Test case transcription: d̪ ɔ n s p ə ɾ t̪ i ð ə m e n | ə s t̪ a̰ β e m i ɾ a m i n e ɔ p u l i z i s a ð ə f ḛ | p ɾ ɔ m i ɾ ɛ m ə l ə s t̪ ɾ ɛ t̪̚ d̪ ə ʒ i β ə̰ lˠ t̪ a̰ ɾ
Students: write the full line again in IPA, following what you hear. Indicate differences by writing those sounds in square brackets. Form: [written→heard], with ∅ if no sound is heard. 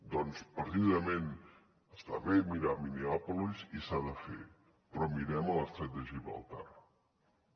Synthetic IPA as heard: d̪ ɔ n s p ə ɾ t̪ i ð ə m e n | ə s t̪ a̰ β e m i ɾ a m i n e ɔ p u l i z i s a ð ə f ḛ | p ɾ ɔ m i ɾ ɛ m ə l ə s t̪ ɾ ɛ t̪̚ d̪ ə ʒ i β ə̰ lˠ t̪ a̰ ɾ